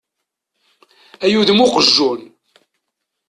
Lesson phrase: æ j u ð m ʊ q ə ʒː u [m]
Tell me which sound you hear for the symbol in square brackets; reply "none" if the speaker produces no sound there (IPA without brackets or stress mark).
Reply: n